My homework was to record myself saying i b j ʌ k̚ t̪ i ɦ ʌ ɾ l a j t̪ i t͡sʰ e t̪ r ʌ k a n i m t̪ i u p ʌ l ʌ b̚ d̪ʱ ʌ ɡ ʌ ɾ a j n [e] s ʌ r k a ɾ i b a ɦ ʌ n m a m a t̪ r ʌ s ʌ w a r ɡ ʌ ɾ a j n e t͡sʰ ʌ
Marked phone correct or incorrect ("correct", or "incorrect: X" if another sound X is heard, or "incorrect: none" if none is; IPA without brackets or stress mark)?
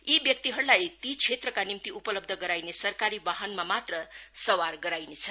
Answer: correct